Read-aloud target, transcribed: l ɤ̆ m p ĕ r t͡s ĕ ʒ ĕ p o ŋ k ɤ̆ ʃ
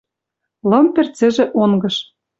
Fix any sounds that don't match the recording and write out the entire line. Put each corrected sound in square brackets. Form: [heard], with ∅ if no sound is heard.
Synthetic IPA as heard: l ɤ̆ m p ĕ r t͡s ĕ ʒ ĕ [ʔ] o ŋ [ɡ] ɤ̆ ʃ